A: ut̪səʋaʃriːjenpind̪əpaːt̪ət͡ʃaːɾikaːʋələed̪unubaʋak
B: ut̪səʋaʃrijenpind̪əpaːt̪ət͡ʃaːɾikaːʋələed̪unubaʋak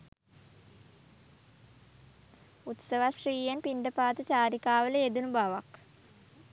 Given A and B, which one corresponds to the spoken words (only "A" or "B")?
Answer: A